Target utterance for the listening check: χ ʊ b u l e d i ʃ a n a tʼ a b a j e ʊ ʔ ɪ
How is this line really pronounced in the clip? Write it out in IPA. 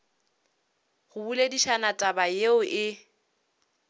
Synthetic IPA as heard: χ ʊ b u l e d i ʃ a n a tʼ a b a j e ʊ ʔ ɪ

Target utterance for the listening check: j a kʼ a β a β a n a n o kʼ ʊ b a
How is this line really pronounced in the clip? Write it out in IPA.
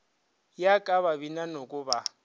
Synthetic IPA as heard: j a kʼ a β a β i n a n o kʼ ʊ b a

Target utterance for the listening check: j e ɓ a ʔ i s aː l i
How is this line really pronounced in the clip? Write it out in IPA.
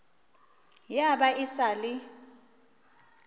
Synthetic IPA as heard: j a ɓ a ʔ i s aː l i

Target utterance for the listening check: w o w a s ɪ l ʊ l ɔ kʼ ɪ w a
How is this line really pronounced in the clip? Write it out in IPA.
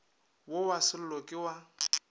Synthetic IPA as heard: w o w a s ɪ l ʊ l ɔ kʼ ɪ w a

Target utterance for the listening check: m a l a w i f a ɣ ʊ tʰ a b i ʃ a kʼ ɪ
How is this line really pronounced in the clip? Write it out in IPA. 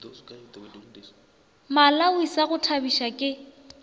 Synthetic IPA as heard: m a l a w i s a ɣ ʊ tʰ a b i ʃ a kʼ ɪ

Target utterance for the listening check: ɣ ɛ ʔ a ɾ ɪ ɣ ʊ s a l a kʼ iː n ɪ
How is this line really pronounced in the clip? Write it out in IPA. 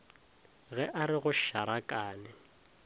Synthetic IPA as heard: ɣ ɛ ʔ a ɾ ɪ ɣ ʊ ʃ a ɾ a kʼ aː n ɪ

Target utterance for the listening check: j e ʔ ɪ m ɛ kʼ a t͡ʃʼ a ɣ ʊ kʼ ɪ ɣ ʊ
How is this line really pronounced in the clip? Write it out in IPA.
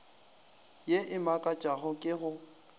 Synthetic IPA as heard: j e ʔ ɪ m a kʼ a t͡ʃʼ a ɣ ʊ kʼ ɪ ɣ ʊ

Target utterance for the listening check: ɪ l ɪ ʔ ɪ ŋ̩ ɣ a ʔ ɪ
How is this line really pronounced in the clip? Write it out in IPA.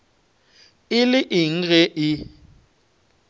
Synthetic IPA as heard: ɪ l ɪ ʔ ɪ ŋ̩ ɣ ɛ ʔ ɪ

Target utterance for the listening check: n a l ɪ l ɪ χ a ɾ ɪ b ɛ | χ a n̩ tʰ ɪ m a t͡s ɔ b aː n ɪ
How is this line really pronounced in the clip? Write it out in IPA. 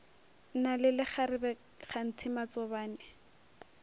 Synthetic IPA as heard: n a l ɪ l ɪ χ a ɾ ɪ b ɛ | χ a n̩ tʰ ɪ m a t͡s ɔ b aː n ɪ

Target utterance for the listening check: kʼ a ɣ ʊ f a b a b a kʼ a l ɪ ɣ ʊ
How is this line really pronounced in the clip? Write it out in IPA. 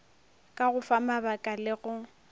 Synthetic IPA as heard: kʼ a ɣ ʊ f a m a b a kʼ a l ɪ ɣ ʊ

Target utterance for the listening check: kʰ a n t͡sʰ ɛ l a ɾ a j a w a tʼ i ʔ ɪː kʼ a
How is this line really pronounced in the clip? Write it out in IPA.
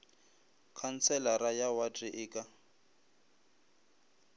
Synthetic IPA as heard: kʰ a n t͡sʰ ɛ l a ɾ a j a w a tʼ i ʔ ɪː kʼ a

